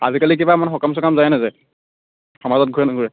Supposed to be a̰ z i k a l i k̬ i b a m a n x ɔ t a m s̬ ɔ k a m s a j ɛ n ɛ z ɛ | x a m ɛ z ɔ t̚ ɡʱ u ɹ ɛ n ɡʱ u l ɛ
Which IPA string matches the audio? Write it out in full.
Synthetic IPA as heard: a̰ z i k a l i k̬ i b a m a n x ɔ k a m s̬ ɔ k a m z a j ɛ n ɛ z ɛ | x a m a z ɔ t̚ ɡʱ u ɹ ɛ n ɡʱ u ɹ ɛ